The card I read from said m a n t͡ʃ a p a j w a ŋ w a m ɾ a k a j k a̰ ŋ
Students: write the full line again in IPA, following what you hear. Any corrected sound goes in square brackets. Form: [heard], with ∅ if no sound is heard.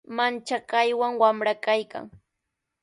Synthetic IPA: m a n t͡ʃ a [k] a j w a ŋ w a m ɾ a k a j k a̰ ŋ